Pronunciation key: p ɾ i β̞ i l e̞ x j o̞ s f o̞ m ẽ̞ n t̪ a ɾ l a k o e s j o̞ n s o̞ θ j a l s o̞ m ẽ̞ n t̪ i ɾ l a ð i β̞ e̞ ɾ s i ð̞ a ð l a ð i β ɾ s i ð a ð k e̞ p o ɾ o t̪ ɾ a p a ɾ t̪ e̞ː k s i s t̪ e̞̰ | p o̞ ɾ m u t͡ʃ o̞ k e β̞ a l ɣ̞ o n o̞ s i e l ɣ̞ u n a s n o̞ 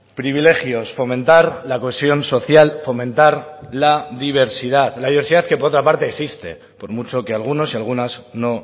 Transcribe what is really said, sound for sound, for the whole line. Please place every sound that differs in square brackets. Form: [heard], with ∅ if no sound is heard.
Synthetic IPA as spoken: p ɾ i β̞ i l e̞ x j o̞ s f o̞ m ẽ̞ n t̪ a ɾ l a k o e s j o̞ n s o̞ θ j a l [f] o̞ m ẽ̞ n t̪ [a] ɾ l a ð i β̞ e̞ ɾ s i ð̞ a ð l a ð i β ɾ s i ð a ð k e̞ p o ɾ o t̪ ɾ a p a ɾ t̪ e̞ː k s i s t̪ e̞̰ | p o̞ ɾ m u t͡ʃ o̞ k e [∅] a l ɣ̞ [u] n o̞ s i [a] l ɣ̞ u n a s n o̞